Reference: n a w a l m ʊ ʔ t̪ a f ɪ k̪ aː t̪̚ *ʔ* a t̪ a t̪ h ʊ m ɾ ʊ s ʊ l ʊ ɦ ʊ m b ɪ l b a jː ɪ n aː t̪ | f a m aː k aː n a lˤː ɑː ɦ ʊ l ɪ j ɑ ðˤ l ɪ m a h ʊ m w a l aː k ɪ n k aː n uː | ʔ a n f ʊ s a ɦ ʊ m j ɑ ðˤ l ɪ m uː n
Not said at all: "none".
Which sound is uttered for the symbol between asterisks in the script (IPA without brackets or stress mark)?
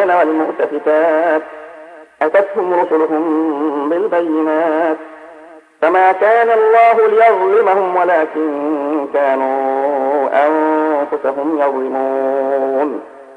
ʔ